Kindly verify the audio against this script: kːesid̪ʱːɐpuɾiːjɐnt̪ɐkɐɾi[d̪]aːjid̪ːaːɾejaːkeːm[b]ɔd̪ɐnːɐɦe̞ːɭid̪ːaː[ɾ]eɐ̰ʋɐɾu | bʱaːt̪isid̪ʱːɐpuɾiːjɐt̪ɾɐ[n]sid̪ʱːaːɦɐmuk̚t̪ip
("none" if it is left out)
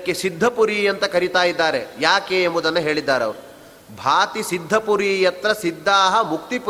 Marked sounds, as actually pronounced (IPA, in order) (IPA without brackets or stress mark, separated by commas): t̪, b, ɾ, none